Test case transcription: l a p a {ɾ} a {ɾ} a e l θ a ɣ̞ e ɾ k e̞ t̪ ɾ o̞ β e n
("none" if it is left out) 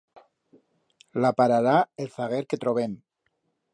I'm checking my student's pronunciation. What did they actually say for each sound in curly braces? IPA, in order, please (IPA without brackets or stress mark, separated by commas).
ɾ, ɾ